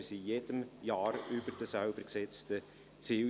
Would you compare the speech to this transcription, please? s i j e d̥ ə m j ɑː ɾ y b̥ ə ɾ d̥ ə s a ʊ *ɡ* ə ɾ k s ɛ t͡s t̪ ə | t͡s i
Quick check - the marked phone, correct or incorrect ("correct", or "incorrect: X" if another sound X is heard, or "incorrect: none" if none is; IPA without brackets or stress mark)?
incorrect: b